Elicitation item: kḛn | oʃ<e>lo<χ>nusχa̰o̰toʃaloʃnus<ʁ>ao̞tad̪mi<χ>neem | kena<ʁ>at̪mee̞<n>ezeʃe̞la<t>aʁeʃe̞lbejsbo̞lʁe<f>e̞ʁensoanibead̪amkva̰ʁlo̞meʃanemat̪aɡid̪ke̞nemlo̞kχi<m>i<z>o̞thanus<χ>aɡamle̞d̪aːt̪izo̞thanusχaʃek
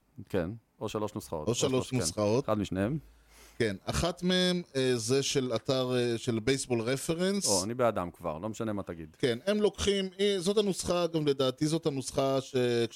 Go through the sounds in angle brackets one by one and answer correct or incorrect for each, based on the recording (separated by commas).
incorrect, incorrect, incorrect, incorrect, incorrect, incorrect, correct, correct, correct, correct, correct